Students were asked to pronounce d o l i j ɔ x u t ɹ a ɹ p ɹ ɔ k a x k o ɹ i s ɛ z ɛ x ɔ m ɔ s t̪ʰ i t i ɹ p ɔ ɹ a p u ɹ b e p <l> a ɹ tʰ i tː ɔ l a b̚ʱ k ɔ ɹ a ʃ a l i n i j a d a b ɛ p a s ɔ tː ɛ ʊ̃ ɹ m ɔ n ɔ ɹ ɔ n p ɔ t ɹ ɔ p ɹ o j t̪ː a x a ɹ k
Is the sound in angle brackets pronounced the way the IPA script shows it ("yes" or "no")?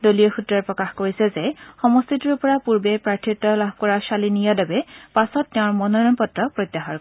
no